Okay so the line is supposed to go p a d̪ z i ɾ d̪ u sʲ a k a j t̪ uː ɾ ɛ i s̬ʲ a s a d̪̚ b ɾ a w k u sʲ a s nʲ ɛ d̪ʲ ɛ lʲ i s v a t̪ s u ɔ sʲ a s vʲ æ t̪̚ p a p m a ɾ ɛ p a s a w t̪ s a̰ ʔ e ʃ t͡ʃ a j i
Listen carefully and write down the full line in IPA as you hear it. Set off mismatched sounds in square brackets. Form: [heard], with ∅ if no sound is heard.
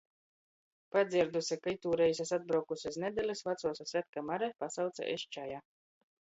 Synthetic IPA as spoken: p a d̪ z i ɾ d̪ u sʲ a k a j t̪ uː ɾ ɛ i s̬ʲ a s a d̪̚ b ɾ a w k u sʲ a s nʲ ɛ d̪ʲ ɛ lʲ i s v a t̪ s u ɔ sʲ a s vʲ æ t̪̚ [k] a [∅] m a ɾ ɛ p a s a w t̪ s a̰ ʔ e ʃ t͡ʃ a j [a]